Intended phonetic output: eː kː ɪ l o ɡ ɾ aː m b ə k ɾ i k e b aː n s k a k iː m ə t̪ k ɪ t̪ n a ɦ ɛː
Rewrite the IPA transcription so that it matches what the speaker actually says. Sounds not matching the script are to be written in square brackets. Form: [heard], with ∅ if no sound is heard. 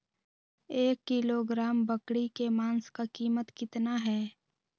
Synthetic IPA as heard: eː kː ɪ l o ɡ ɾ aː m b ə k [ɽ] i k e [m] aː n s k a k iː m ə t̪ k ɪ t̪ n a ɦ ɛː